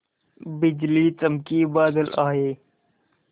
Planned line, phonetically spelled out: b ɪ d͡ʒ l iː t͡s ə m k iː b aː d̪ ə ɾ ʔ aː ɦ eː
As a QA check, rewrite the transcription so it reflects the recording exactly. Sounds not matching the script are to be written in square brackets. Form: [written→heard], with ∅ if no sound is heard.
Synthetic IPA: b ɪ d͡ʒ l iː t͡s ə m k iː b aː d̪ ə [ɾ→l] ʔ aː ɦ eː

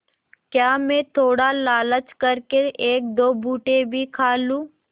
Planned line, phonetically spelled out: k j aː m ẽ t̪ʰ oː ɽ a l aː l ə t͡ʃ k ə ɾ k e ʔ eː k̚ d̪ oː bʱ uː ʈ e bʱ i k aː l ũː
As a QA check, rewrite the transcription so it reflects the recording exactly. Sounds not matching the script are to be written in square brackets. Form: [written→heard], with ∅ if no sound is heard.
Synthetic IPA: k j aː m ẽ t̪ʰ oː ɽ a l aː l ə t͡ʃ k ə ɾ k e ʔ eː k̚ d̪ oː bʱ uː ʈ e bʱ i [k→kʰ] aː l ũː

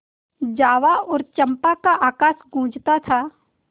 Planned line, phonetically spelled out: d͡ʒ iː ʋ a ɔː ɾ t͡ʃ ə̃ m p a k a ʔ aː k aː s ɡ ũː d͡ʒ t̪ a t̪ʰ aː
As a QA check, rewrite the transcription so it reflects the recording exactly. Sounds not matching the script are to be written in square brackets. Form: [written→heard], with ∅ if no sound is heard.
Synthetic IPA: d͡ʒ [iː→aː] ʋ a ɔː ɾ t͡ʃ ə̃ m p a k a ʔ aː k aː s ɡ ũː d͡ʒ t̪ a t̪ʰ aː

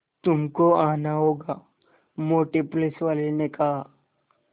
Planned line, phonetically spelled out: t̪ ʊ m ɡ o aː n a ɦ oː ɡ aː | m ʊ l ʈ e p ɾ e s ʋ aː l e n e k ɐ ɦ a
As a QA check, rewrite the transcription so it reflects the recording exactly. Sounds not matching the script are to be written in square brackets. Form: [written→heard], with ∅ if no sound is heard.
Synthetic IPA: t̪ ʊ m [ɡ→k] o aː n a ɦ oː ɡ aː | m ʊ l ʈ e p [ɾ→l] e s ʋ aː l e n e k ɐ ɦ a

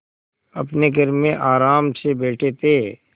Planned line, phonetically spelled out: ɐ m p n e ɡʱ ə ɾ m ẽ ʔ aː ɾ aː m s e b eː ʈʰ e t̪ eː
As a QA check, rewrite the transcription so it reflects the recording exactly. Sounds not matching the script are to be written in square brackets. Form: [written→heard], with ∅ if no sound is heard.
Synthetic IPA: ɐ [m→∅] p n e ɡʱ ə ɾ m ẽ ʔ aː ɾ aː m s e b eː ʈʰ e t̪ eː

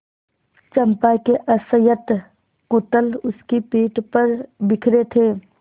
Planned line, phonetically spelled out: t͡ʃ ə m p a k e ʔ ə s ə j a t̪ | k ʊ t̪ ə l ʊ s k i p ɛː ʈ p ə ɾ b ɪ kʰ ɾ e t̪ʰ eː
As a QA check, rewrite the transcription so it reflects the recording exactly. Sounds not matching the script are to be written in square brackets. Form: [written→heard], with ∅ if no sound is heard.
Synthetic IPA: t͡ʃ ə m p a k e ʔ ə s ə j [a→ə] t̪ | k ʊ t̪ ə l ʊ s k i p [ɛː→iː] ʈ p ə ɾ b ɪ kʰ ɾ e t̪ʰ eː

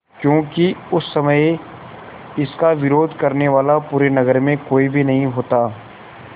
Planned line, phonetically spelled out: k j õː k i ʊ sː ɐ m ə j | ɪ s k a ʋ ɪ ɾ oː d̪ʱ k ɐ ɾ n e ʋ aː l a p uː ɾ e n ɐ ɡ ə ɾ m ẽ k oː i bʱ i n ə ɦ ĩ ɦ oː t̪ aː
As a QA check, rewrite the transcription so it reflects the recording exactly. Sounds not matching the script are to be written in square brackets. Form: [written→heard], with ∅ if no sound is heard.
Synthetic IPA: k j õː k i ʊ sː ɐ m ə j | ɪ s k a ʋ ɪ ɾ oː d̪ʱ k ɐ ɾ n e ʋ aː l a p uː ɾ e n ɐ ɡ ə ɾ m ẽ k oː i bʱ i n [ə→ɐ] ɦ ĩ ɦ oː t̪ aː

